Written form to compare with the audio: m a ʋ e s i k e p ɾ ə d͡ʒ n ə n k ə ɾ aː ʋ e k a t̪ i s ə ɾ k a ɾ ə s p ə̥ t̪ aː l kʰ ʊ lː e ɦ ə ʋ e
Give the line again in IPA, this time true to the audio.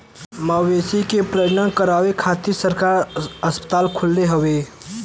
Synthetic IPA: m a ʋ e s i k e p ɾ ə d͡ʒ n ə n k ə ɾ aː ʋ e kʰ a t̪ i s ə ɾ k a ɾ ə s p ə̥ t̪ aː l kʰ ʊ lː e ɦ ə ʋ e